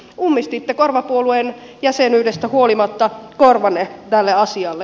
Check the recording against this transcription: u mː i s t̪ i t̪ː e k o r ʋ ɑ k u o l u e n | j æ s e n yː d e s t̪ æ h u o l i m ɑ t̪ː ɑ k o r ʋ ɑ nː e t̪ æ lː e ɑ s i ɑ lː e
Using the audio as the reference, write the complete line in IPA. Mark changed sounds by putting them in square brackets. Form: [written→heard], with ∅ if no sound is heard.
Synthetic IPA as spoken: u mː i s t̪ i t̪ː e k o r ʋ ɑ [k→p] u o l u e n | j æ s e n yː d e s t̪ æ h u o l i m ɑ t̪ː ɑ k o r ʋ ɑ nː e t̪ æ lː e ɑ s i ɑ lː e